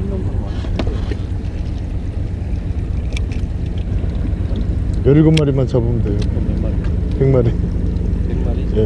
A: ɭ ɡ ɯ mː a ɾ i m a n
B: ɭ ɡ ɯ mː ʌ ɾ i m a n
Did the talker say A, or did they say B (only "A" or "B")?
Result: A